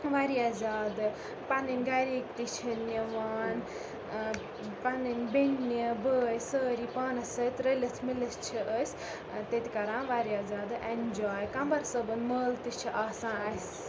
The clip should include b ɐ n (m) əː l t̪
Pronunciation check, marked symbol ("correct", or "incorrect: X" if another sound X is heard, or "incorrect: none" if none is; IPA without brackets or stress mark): correct